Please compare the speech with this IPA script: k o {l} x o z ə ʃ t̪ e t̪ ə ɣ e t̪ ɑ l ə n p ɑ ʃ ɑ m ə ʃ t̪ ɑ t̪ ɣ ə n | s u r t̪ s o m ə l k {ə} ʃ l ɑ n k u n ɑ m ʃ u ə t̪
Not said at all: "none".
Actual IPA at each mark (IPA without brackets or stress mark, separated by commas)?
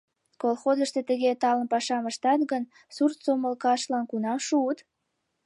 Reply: l, ɑ